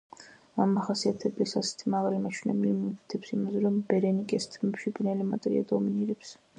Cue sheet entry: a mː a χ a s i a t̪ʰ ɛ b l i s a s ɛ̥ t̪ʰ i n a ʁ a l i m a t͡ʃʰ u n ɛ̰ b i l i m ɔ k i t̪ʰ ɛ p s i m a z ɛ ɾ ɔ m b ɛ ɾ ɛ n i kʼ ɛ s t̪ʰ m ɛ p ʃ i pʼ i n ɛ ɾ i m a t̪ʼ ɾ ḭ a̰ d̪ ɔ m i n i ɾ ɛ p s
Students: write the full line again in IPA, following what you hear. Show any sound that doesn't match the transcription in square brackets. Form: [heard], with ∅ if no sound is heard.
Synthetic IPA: a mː a χ a s i a t̪ʰ ɛ b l i s a s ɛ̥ t̪ʰ i [m] a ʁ a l i m a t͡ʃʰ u n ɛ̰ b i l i m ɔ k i t̪ʰ ɛ p s i m a z ɛ ɾ ɔ m b ɛ ɾ ɛ n i kʼ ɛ s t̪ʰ m ɛ p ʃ i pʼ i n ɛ [l] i m a t̪ʼ ɾ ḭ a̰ d̪ ɔ m i n i ɾ ɛ p s

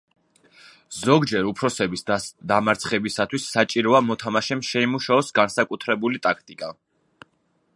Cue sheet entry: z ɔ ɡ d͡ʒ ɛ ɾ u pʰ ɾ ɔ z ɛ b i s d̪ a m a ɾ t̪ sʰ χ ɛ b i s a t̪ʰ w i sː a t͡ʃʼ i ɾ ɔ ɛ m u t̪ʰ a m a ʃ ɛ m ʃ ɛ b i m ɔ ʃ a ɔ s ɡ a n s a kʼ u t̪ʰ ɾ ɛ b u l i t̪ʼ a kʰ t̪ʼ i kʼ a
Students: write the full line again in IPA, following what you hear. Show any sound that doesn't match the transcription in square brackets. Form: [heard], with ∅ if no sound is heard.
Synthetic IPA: z ɔ ɡ d͡ʒ ɛ ɾ u pʰ ɾ ɔ [s] ɛ b i s d̪ a m a ɾ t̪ sʰ χ ɛ b i s a t̪ʰ w i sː a t͡ʃʼ i ɾ ɔ [a] m [ɔ] t̪ʰ a m a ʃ ɛ m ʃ ɛ [∅] i m [u] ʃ a ɔ s ɡ a n s a kʼ u t̪ʰ ɾ ɛ b u l i t̪ʼ a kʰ t̪ʼ i kʼ a

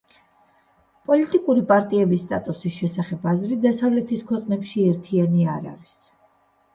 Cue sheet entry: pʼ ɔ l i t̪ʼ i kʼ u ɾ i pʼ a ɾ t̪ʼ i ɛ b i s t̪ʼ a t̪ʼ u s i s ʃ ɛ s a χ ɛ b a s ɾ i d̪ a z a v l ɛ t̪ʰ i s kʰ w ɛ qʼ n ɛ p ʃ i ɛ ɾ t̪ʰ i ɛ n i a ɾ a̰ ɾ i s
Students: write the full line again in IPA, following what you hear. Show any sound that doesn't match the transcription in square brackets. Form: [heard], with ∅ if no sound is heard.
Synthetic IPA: pʼ ɔ l i t̪ʼ i kʼ u ɾ i pʼ a ɾ t̪ʼ i ɛ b i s t̪ʼ a t̪ʼ u s i s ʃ ɛ s a χ ɛ b a [z] ɾ i d̪ a [s] a v l ɛ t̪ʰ i s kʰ w ɛ qʼ n ɛ p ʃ i ɛ ɾ t̪ʰ i [a] n i a ɾ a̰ ɾ i s

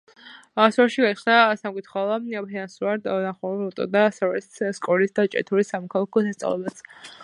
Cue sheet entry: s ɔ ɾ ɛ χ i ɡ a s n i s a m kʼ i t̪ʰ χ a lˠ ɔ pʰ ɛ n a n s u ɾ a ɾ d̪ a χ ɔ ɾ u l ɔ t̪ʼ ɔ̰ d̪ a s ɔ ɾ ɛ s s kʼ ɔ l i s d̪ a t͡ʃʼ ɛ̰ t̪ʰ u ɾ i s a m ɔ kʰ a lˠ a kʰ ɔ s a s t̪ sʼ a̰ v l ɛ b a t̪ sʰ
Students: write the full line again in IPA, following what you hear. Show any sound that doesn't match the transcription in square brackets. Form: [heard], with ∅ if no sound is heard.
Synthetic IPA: s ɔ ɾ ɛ [ʃ] i ɡ a s n [a] s a m kʼ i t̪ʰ χ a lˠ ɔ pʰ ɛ n a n s u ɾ a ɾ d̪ a χ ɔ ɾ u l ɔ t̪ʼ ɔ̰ d̪ a s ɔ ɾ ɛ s s kʼ ɔ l i s d̪ a t͡ʃʼ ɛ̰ t̪ʰ u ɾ i s a m ɔ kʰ a lˠ a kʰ ɔ s a s t̪ sʼ a̰ v l ɛ b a t̪ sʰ

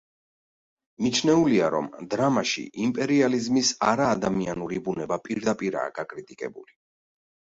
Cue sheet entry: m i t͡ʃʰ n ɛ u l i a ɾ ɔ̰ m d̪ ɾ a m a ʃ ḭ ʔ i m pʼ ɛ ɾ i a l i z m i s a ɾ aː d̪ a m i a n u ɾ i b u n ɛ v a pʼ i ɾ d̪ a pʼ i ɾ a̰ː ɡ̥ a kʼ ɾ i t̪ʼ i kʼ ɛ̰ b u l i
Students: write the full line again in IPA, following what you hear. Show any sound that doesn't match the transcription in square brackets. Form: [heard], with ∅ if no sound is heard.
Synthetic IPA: m i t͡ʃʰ n ɛ u l i a ɾ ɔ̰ m d̪ ɾ a m a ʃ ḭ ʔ i m pʼ ɛ ɾ i a l i z m i s a ɾ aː d̪ a m i a n u ɾ i b u n ɛ [b] a pʼ i ɾ d̪ a pʼ i ɾ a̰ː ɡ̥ a kʼ ɾ i t̪ʼ i kʼ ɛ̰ b u l i

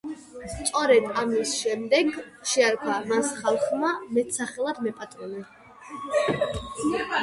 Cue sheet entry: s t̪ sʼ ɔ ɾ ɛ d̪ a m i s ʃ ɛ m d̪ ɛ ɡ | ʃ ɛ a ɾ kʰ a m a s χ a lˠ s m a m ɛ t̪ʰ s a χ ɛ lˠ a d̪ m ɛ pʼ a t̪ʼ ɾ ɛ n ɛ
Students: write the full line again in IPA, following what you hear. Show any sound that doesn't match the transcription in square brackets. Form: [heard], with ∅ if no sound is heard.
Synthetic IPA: s t̪ sʼ ɔ ɾ ɛ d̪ a m i s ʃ ɛ m d̪ ɛ ɡ | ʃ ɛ a ɾ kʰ a m a s χ a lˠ [χ] m a m ɛ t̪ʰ s a χ ɛ lˠ a d̪ m ɛ pʼ a t̪ʼ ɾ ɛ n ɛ

